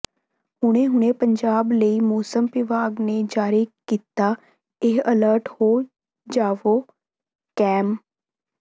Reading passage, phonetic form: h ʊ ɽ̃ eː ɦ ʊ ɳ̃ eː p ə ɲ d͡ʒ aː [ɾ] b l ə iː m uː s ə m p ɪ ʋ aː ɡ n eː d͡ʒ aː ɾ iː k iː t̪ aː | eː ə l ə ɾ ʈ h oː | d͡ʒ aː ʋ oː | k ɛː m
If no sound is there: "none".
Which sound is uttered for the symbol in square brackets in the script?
none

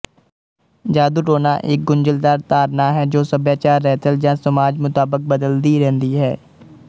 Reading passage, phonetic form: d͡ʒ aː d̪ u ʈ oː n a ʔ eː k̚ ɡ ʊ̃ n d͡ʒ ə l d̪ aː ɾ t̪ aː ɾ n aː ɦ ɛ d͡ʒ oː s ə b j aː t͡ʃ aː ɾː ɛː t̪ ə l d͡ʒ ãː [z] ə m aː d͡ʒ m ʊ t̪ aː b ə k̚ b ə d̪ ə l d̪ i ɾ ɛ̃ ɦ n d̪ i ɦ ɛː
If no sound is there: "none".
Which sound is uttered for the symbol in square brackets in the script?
s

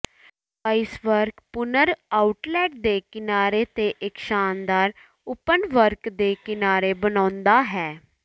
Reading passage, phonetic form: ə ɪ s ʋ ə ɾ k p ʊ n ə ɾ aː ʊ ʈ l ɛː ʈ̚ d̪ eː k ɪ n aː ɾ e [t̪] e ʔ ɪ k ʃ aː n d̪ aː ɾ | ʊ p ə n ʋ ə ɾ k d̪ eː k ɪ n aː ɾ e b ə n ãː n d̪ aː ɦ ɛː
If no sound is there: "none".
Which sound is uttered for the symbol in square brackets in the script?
t̪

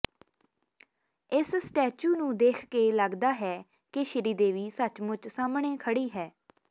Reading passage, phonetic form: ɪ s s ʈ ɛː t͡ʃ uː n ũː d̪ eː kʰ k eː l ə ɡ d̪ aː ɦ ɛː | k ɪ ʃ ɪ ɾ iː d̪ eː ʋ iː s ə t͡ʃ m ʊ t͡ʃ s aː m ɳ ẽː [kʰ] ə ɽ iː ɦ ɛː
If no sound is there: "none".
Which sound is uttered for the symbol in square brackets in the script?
kʰ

